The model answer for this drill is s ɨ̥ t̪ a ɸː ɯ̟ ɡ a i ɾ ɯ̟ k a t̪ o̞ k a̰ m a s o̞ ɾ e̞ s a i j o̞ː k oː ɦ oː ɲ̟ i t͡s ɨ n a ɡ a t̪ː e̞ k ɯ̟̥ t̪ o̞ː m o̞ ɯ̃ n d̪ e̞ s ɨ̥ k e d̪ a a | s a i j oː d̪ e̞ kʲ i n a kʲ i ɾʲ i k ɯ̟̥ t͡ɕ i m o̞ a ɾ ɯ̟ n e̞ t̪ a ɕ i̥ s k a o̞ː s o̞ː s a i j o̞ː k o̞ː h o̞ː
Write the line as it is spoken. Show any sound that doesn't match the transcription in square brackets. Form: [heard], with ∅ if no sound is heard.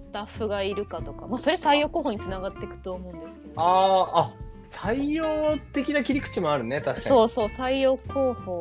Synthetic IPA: s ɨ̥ t̪ a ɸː ɯ̟ ɡ a i ɾ ɯ̟ k a t̪ o̞ k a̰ m a s o̞ ɾ e̞ s a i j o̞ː k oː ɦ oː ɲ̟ i t͡s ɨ n a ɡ a t̪ː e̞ k ɯ̟̥ t̪ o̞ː m o̞ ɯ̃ n d̪ e̞ s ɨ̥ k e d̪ a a | s a i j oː [t̪] e̞ kʲ i n a kʲ i ɾʲ i k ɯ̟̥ t͡ɕ i m o̞ a ɾ ɯ̟ n e̞ t̪ a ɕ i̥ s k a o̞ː s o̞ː s a i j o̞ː k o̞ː h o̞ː